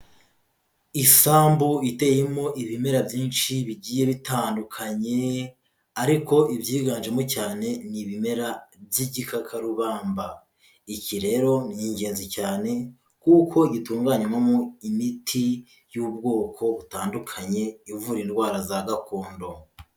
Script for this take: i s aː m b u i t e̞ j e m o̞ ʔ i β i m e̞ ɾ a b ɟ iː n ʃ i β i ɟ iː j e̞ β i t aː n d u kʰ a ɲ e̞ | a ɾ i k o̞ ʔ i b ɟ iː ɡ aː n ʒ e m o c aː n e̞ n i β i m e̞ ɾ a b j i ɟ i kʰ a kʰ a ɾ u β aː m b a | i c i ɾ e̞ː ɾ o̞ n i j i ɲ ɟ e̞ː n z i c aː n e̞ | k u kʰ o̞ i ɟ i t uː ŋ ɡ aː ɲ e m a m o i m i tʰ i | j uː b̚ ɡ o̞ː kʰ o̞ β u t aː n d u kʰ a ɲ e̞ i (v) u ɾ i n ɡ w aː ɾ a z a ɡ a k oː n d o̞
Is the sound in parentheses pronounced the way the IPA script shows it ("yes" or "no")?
yes